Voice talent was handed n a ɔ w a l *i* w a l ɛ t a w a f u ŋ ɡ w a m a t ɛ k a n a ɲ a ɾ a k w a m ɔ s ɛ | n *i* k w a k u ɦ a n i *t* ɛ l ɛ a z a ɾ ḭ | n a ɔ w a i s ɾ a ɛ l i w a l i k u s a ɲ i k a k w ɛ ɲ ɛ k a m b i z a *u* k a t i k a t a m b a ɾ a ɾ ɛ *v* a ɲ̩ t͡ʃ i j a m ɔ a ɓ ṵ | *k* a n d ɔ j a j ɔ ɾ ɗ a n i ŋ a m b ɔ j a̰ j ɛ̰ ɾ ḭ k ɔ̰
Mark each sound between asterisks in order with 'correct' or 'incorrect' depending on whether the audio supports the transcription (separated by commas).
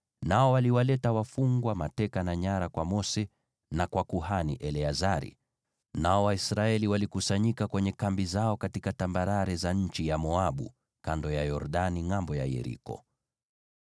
correct, incorrect, incorrect, incorrect, incorrect, correct